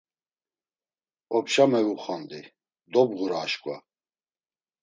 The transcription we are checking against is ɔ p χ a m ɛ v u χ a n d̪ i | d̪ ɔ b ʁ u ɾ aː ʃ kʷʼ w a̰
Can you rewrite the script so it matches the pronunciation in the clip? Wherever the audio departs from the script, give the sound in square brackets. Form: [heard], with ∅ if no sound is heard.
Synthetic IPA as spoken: ɔ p [ʃ] a m ɛ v u χ a n d̪ i | d̪ ɔ b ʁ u ɾ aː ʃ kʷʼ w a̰